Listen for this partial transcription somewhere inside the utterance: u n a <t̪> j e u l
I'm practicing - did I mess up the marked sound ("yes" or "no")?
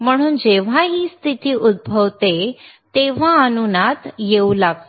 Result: no